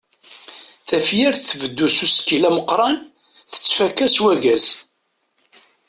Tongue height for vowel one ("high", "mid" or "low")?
low